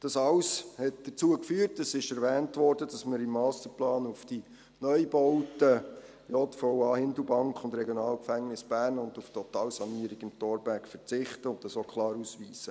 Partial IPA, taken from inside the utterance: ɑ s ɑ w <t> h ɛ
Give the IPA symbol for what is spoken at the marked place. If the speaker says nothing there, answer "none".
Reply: s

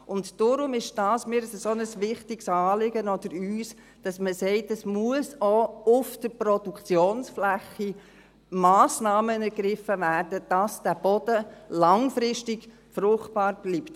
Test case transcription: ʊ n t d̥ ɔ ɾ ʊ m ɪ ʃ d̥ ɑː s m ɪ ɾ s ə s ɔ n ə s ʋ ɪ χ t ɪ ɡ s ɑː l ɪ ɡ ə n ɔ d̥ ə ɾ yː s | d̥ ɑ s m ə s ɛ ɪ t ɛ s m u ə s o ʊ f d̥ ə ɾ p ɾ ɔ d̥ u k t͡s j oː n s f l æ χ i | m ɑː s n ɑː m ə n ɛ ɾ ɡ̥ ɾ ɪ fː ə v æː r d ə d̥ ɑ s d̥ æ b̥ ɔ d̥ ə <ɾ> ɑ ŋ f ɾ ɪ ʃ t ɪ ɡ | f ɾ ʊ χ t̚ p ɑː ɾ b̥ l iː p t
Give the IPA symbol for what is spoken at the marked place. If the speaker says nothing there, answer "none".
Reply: l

